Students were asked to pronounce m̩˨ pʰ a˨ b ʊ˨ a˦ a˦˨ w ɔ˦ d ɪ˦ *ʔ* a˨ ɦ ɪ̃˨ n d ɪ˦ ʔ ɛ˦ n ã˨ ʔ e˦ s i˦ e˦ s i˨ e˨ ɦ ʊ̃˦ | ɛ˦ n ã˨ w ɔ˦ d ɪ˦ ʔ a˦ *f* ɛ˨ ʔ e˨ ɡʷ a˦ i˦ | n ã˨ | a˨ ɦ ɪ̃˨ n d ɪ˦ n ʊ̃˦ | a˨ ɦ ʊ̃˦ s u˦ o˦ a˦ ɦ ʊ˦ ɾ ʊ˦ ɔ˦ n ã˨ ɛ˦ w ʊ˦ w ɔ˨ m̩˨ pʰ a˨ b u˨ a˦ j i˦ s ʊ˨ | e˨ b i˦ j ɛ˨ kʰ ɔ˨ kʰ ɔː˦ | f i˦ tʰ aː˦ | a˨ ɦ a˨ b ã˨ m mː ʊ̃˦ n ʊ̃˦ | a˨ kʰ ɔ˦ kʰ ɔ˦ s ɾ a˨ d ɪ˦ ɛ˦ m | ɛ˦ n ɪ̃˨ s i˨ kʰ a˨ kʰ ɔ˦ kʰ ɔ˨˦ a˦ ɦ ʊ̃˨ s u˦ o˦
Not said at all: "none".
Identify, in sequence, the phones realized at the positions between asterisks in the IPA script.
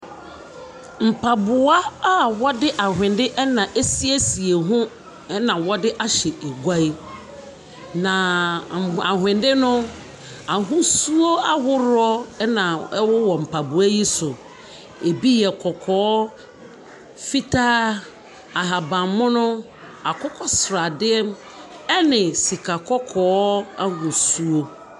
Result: ʔ, ɕ

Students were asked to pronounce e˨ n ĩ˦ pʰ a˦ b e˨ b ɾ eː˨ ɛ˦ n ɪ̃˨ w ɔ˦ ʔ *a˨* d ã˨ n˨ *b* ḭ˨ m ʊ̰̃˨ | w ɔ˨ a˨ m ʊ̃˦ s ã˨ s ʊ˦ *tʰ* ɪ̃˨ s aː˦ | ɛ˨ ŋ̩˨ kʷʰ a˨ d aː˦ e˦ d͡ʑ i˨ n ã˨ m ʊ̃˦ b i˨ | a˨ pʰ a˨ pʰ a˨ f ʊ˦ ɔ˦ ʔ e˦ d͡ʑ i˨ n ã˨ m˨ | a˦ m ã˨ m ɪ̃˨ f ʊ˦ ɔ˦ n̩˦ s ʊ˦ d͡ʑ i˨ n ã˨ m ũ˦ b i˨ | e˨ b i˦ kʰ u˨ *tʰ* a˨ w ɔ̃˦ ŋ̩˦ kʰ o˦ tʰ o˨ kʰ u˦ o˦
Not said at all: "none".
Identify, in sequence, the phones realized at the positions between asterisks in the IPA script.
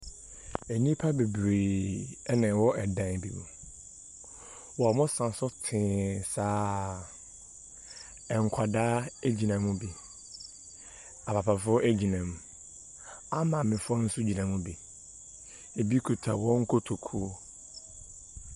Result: ɛ˨, b, tʰ, tʰ

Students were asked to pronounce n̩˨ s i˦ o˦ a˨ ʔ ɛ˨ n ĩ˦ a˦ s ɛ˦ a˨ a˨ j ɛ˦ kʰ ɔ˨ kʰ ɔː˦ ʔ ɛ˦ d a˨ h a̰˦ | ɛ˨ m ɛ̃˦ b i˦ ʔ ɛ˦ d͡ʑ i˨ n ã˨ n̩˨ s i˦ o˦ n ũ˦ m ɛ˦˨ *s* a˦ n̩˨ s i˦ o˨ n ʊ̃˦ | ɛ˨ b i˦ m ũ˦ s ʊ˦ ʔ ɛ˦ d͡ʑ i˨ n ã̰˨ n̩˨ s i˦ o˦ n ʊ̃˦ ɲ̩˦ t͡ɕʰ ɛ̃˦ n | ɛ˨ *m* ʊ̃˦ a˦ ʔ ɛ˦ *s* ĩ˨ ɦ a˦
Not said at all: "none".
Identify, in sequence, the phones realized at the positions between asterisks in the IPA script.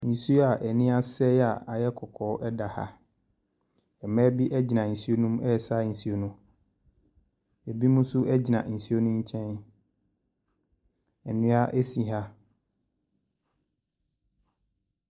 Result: s, n, s

